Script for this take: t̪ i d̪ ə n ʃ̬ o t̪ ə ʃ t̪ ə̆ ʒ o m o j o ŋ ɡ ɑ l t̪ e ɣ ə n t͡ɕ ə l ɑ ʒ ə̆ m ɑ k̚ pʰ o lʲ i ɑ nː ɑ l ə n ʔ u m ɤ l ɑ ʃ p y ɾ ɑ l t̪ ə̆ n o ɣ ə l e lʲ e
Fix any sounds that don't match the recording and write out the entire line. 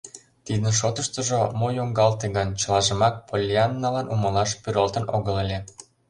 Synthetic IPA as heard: t̪ i d̪ ə n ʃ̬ o t̪ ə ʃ t̪ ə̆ ʒ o m o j o ŋ ɡ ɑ l t̪ e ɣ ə n t͡ɕ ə l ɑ ʒ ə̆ m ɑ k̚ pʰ o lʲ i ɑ nː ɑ l ɑ n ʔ u m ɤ l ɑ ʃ p y ɾ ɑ l t̪ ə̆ n o ɣ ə l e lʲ e